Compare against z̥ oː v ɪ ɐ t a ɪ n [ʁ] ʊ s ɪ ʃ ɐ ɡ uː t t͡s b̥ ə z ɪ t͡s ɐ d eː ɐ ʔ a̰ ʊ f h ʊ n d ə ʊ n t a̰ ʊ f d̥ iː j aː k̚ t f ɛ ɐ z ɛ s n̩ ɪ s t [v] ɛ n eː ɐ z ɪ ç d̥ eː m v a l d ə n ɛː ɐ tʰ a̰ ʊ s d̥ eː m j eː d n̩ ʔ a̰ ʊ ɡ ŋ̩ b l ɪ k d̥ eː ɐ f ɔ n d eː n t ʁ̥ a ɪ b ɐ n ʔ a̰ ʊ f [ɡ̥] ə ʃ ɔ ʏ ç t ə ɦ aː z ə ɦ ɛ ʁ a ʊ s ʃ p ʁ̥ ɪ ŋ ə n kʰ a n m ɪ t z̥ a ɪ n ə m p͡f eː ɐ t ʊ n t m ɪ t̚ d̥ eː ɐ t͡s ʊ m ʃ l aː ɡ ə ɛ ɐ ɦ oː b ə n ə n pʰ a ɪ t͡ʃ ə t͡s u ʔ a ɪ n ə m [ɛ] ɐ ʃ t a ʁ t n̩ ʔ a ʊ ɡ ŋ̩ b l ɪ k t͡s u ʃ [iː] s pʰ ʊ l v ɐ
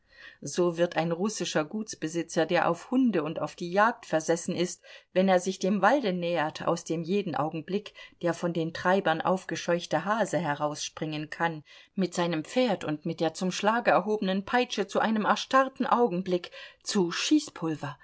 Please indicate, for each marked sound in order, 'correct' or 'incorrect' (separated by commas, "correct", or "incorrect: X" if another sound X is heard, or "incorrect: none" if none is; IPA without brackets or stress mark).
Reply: correct, correct, correct, correct, correct